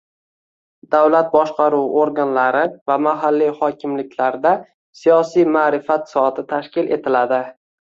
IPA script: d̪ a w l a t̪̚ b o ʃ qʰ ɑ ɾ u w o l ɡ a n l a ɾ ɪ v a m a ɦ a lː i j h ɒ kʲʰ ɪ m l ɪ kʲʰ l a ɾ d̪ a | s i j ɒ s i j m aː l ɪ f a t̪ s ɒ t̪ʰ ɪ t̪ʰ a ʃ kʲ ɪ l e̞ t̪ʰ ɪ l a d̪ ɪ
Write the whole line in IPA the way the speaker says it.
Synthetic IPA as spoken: d̪ a w l a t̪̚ b ɒ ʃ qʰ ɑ ɾ u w o ɾ ɡ a n l a ɾ ɪ v a m a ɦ a lː i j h ɒ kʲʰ ɪ m l ɪ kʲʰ l a ɾ d̪ a | s i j ɒ s i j m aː ɾ ɪ f a t̪ s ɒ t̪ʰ ɪ t̪ʰ a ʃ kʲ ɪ l e̞ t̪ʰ ɪ l a d̪ ɪ